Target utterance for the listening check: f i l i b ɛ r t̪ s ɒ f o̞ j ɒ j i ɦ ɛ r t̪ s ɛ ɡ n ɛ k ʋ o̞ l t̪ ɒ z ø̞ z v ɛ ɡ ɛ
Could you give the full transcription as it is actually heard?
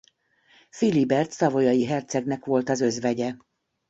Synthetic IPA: f i l i b ɛ r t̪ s ɒ v o̞ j ɒ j i ɦ ɛ r t̪ s ɛ ɡ n ɛ k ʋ o̞ l t̪ ɒ z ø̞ z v ɛ ɟ ɛ